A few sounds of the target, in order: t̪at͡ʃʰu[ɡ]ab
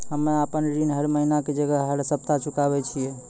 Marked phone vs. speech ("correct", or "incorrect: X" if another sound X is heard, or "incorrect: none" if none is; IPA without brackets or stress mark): incorrect: k